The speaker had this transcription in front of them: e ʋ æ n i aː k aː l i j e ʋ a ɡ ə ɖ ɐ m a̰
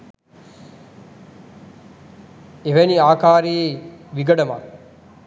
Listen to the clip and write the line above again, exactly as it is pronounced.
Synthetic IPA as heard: e ʋ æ n i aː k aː ɾ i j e ʋ i ɡ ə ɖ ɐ m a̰